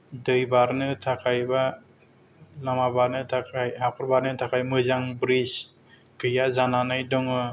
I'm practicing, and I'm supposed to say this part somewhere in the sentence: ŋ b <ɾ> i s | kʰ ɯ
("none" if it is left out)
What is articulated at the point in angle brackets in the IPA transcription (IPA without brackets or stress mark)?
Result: ɾ